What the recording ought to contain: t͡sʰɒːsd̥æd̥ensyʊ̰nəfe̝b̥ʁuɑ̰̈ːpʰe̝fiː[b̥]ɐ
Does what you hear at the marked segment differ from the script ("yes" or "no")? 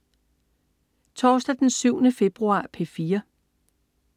yes